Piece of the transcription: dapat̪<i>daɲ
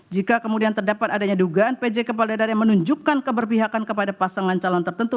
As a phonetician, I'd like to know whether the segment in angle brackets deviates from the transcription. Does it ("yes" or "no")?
yes